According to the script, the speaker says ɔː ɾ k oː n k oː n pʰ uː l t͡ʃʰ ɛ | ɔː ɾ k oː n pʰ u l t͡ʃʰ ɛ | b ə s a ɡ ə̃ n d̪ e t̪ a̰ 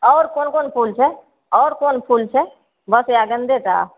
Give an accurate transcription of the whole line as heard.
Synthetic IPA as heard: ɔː ɾ k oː n k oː n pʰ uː l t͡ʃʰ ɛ | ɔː ɾ k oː n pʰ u l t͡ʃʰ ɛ | b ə s a ɡ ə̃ n d̪ e t̪ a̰